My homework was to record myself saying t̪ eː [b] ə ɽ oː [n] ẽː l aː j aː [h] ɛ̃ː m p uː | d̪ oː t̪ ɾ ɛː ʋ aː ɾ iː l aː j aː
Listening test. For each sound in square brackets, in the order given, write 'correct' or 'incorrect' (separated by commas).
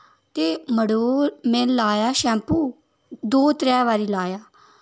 incorrect, incorrect, incorrect